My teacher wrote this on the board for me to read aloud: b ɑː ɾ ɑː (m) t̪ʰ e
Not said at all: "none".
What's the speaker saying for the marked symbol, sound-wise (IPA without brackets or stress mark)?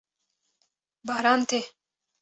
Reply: n